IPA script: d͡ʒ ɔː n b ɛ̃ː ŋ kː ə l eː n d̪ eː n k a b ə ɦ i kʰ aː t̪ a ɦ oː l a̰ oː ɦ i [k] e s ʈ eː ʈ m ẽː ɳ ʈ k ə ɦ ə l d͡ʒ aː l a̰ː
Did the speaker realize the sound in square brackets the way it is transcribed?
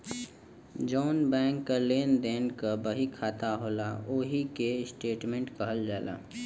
yes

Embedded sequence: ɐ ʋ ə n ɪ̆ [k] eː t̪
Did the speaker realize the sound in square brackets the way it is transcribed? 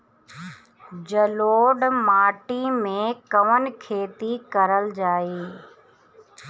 no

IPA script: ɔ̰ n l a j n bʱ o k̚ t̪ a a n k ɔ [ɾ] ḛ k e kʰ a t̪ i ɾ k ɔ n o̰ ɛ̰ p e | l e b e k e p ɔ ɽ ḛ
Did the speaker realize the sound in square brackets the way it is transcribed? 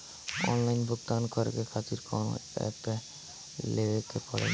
yes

